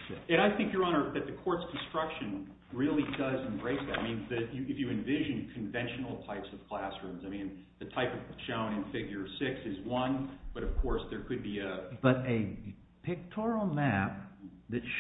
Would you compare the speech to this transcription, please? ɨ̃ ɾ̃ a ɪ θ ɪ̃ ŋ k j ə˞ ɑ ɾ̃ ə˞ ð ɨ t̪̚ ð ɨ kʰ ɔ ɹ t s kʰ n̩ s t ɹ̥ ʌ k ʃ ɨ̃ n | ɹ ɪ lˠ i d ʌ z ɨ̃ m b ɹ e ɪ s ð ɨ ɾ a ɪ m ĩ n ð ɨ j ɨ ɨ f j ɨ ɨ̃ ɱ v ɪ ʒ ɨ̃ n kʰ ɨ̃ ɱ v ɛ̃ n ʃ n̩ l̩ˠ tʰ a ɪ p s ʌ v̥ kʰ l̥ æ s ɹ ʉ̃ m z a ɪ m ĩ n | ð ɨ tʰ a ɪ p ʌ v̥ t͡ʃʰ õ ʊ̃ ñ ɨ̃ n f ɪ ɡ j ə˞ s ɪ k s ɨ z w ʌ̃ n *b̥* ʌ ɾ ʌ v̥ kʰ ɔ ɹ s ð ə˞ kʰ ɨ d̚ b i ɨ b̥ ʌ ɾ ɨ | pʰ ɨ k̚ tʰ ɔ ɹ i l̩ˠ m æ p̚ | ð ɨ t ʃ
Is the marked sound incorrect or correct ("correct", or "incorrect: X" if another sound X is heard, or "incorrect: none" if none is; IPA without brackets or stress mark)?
correct